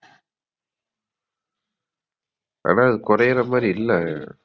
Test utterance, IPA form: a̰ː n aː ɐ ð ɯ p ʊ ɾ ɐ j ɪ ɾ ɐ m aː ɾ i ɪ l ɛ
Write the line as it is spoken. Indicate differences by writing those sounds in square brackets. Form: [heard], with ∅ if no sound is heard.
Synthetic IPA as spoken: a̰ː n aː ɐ ð ɯ [k] ʊ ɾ ɐ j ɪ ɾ ɐ m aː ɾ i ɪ [lː] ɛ